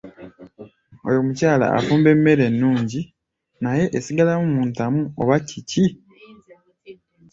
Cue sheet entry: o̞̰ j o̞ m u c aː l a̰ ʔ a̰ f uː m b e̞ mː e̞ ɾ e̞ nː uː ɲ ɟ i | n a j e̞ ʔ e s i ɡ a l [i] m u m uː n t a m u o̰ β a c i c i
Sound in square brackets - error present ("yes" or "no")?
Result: yes